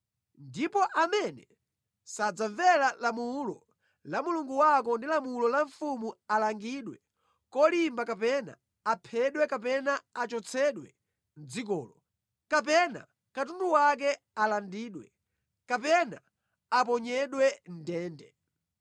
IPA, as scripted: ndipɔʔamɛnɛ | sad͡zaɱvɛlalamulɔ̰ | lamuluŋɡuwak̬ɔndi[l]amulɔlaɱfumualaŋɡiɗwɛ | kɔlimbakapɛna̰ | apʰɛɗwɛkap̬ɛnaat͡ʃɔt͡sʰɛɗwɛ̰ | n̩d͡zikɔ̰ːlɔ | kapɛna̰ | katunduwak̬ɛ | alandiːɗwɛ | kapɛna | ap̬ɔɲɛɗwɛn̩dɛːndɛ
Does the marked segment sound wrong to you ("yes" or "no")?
no